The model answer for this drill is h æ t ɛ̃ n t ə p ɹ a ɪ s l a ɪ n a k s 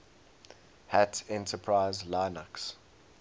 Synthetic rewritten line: h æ t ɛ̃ n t ə pʰ ɹ a ɪ z l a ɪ n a k s